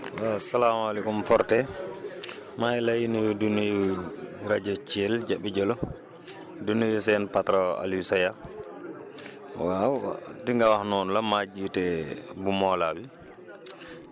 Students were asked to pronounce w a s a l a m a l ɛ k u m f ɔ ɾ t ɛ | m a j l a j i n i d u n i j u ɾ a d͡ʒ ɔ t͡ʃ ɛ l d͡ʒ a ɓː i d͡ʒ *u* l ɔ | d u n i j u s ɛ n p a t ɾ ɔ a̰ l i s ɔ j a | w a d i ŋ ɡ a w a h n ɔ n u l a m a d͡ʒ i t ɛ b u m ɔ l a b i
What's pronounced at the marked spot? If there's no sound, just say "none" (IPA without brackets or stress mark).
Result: ɔ